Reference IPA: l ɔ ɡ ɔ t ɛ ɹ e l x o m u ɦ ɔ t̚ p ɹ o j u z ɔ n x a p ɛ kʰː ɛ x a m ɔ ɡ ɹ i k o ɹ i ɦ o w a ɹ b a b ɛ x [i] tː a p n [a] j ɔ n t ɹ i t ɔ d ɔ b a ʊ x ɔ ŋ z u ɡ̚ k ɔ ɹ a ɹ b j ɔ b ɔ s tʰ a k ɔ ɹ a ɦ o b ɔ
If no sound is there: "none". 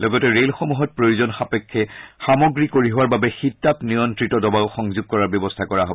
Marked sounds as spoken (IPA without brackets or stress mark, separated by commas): i, i